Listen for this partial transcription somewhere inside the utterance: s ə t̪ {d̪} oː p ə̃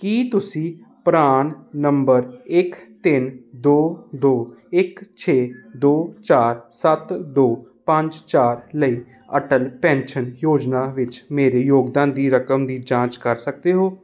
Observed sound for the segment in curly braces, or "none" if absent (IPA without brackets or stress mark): d̪